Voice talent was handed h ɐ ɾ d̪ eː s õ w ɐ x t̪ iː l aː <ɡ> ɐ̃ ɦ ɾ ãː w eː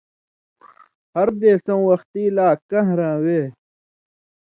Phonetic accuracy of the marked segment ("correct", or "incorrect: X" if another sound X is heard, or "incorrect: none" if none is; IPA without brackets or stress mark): incorrect: k